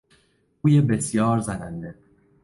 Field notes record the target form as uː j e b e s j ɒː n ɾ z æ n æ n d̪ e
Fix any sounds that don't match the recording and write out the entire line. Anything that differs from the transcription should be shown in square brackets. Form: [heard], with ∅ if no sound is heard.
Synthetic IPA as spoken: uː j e b e s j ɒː [∅] ɾ z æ n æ n d̪ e

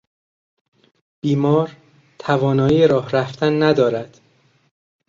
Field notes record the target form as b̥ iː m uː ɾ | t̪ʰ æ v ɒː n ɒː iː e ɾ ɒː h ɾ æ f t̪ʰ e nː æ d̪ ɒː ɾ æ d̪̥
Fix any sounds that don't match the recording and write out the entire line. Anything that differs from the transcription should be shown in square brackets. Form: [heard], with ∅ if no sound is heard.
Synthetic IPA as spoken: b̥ iː m [ɒː] ɾ | t̪ʰ æ v ɒː n ɒː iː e ɾ ɒː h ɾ æ f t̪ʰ [æ] nː æ d̪ ɒː ɾ æ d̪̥

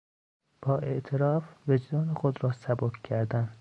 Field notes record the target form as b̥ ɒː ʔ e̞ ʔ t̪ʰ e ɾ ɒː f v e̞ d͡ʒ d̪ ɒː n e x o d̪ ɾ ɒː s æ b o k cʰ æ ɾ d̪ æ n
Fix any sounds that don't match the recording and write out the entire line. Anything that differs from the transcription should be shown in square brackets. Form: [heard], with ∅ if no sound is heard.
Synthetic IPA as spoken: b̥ ɒː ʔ e̞ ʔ t̪ʰ e ɾ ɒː f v e̞ d͡ʒ d̪ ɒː n e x o d̪ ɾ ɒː s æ b o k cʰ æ ɾ d̪ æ n

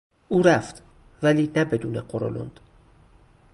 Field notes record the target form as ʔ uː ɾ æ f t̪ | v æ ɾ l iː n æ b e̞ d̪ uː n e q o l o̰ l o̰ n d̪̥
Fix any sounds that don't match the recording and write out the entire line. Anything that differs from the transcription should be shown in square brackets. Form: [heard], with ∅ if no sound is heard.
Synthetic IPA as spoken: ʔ uː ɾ æ f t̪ | v æ [∅] l iː n æ b e̞ d̪ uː n e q o [ɾ] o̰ l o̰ n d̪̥

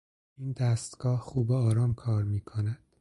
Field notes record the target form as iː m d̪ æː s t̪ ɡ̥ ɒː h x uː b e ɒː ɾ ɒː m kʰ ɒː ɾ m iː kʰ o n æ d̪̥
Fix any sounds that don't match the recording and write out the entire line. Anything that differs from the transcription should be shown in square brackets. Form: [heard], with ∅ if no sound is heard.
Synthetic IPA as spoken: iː [n] d̪ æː s t̪ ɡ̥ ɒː h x uː b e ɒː ɾ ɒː m kʰ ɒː ɾ m iː kʰ o n æ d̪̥

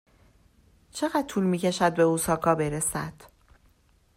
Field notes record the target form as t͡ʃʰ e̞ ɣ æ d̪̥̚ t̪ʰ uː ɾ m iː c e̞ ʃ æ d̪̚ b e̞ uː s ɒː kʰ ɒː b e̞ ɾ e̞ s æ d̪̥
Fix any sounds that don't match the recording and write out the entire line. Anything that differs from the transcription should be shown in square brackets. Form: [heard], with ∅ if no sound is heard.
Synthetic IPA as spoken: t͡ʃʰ e̞ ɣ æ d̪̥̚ t̪ʰ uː [l] m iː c e̞ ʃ æ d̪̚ b e̞ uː s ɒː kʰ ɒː b e̞ ɾ e̞ s æ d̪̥

